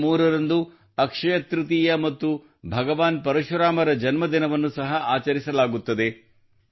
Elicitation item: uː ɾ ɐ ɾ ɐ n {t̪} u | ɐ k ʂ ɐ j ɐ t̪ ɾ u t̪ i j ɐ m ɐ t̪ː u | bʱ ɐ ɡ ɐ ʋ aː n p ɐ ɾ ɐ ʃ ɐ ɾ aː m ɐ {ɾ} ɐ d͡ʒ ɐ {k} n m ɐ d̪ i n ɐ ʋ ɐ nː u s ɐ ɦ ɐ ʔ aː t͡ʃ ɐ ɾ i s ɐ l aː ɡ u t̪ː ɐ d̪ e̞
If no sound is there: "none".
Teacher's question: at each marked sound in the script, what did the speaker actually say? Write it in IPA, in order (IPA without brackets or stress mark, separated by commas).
d̪, ɾ, none